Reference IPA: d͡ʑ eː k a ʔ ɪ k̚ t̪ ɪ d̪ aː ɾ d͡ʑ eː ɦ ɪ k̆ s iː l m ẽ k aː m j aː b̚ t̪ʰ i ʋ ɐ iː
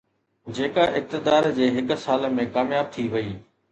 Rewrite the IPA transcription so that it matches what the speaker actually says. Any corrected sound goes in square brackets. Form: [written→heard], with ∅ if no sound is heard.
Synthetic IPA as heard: d͡ʑ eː k a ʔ ɪ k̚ t̪ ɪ d̪ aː ɾ d͡ʑ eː ɦ ɪ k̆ s [iː→aː] l m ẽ k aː m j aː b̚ t̪ʰ i ʋ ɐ iː